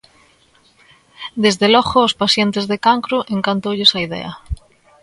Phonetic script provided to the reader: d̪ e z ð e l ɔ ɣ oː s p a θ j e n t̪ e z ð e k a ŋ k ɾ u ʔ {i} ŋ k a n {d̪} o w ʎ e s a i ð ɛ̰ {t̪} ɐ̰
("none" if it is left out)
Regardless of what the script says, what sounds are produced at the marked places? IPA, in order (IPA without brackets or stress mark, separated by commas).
e, t̪, none